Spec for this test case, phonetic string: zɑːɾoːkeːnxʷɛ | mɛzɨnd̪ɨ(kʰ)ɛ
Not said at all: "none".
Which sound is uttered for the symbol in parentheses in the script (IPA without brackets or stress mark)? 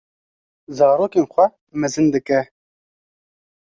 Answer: k